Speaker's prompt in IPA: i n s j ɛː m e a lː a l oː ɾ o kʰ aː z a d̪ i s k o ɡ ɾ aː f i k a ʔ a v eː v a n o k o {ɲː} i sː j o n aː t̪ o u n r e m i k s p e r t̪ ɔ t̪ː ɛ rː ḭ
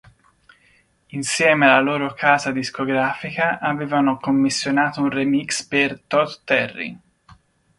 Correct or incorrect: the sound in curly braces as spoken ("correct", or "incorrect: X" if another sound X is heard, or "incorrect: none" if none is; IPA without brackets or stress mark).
incorrect: mː